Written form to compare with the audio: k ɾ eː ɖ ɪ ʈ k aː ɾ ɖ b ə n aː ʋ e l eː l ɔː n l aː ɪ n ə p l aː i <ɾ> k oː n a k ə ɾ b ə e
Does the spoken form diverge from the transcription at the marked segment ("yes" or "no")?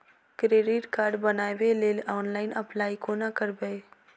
yes